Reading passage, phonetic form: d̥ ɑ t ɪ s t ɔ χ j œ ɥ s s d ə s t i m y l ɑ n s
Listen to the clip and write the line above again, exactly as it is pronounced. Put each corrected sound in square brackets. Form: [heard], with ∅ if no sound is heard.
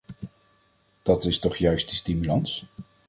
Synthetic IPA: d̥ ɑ t ɪ s t ɔ χ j œ ɥ s [t] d ə s t i m y l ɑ n s